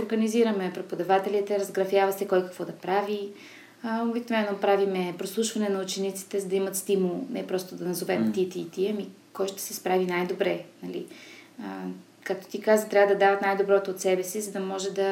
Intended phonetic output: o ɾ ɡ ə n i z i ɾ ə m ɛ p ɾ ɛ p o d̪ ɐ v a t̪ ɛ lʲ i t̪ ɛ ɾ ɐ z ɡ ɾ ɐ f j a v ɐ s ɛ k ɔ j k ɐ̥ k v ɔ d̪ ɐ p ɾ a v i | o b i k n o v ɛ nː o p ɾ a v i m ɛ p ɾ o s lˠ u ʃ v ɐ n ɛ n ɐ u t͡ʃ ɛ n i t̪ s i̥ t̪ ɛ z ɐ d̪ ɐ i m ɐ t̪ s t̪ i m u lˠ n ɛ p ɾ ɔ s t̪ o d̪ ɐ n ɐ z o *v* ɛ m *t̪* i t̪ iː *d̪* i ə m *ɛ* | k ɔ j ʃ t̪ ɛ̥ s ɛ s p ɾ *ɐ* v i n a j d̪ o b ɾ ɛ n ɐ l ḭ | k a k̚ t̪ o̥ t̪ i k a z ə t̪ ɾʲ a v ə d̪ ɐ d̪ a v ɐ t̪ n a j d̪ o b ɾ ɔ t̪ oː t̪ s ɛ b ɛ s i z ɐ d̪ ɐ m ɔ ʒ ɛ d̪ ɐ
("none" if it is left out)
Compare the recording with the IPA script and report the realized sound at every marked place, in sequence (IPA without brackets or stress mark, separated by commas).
v, t̪, t̪, i, a